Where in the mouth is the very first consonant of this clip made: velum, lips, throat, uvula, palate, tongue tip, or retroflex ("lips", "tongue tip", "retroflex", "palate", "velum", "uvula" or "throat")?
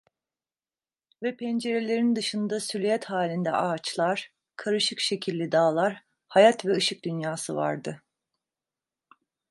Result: lips